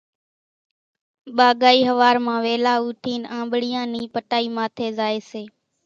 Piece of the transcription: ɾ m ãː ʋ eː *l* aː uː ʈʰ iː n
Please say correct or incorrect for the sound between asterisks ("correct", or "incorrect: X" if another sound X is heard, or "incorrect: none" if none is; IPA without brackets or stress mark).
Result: correct